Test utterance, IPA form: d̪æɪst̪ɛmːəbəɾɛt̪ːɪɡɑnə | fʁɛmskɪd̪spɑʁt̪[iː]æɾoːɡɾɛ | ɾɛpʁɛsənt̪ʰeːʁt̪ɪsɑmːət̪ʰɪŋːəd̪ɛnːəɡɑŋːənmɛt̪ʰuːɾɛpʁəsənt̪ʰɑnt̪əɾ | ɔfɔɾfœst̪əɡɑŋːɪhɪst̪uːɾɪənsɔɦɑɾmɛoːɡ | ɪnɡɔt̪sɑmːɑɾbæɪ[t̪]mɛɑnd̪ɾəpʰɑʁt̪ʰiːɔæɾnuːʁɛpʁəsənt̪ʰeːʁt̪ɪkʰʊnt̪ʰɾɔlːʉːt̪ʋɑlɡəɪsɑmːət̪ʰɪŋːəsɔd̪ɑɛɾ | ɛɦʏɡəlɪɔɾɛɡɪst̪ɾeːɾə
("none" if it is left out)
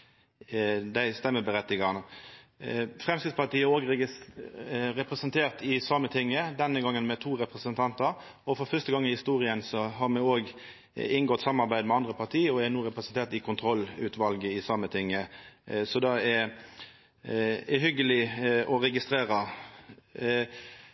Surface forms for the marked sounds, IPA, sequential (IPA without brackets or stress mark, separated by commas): iː, d̪